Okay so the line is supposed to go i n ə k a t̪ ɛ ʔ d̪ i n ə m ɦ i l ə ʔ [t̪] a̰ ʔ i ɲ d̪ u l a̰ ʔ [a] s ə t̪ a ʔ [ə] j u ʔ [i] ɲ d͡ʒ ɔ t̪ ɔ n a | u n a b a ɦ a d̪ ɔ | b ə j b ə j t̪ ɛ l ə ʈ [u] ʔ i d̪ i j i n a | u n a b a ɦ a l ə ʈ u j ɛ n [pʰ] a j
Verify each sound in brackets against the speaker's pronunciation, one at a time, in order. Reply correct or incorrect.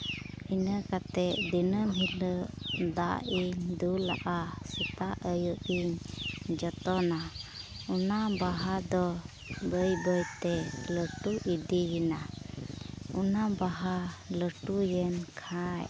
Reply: incorrect, correct, correct, correct, correct, incorrect

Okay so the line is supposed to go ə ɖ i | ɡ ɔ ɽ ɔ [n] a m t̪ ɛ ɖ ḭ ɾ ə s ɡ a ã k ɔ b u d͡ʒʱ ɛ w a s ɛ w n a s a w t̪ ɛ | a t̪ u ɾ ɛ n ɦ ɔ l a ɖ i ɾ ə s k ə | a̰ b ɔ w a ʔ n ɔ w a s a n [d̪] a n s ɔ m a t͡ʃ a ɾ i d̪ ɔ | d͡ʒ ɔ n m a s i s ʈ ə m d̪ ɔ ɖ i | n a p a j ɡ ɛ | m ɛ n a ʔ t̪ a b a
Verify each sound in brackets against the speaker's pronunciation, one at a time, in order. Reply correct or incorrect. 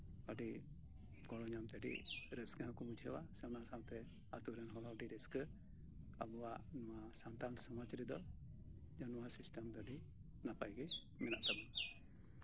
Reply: incorrect, incorrect

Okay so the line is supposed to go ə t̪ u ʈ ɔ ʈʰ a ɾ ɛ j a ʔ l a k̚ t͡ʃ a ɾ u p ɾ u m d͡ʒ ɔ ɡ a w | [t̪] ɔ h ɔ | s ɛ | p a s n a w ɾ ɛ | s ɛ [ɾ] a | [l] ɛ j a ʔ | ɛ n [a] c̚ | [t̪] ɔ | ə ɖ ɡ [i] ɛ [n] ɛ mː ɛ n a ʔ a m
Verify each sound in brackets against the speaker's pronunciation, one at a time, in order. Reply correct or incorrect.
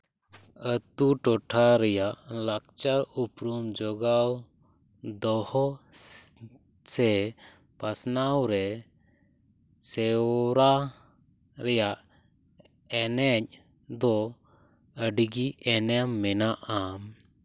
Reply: incorrect, correct, incorrect, incorrect, incorrect, correct, correct

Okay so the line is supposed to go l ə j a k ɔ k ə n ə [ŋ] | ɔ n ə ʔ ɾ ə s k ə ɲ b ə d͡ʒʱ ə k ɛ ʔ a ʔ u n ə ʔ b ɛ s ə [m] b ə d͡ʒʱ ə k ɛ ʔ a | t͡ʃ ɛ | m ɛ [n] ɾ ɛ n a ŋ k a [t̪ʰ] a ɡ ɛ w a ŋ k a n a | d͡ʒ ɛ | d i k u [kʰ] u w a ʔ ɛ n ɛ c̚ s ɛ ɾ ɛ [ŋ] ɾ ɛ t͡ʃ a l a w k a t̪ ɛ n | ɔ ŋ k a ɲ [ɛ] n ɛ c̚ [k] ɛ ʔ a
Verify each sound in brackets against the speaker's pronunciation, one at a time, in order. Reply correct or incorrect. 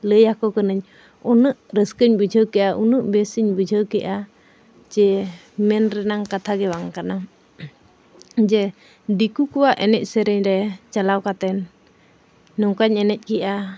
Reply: incorrect, incorrect, correct, correct, incorrect, incorrect, correct, correct

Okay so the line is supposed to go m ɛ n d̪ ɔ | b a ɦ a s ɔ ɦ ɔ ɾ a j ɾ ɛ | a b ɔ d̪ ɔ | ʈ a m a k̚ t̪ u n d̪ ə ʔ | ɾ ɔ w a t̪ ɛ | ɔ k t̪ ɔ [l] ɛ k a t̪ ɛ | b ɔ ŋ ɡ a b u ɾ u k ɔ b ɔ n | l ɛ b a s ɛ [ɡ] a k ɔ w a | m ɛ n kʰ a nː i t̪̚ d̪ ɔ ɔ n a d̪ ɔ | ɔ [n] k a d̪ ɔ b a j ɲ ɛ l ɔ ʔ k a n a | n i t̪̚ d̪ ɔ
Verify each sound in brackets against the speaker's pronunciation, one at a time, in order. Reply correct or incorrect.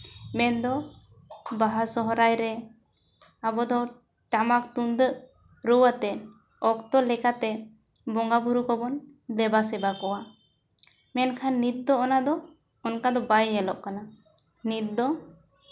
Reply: correct, incorrect, correct

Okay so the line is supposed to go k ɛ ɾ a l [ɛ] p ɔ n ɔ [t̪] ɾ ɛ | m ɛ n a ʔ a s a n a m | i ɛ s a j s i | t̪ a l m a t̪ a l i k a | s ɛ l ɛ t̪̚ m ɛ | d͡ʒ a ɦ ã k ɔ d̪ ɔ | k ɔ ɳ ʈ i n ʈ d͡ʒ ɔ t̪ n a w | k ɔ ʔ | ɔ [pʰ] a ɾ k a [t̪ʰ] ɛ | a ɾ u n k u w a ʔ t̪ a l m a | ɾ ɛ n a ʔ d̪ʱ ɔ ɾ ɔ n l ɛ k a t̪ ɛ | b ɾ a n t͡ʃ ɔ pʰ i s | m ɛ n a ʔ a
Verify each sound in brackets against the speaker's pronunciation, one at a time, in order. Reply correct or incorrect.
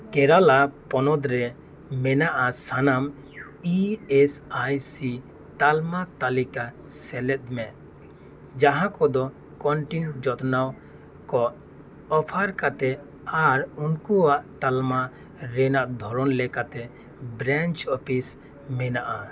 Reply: incorrect, incorrect, correct, incorrect

